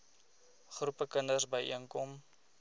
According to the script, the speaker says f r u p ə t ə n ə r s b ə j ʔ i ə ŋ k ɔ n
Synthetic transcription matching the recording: χ r u p ə k ə n ə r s b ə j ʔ i ə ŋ k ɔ m